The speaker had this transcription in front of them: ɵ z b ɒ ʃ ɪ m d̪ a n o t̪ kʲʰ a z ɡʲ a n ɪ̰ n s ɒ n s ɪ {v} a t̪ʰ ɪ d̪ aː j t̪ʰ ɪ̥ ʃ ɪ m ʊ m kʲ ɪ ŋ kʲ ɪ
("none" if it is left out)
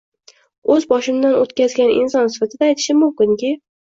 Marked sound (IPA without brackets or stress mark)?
f